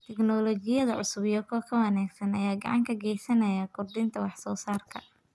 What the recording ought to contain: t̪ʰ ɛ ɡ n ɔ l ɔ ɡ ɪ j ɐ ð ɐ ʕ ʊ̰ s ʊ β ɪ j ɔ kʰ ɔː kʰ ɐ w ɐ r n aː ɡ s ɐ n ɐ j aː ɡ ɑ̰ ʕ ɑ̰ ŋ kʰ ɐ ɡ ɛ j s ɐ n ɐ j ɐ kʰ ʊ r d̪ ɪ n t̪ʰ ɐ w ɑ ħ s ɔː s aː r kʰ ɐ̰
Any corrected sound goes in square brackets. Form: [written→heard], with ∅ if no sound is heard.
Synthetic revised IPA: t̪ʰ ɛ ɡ n ɔ l ɔ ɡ ɪ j ɐ ð ɐ ʕ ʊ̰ s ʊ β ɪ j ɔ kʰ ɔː kʰ ɐ w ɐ [r→∅] n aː ɡ s ɐ n ɐ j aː ɡ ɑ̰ ʕ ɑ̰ ŋ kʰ ɐ ɡ ɛ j s ɐ n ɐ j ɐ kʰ ʊ r d̪ ɪ n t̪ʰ ɐ w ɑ ħ s ɔː s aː r kʰ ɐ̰